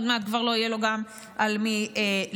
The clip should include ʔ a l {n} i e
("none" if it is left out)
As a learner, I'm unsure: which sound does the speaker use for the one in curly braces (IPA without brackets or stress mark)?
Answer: m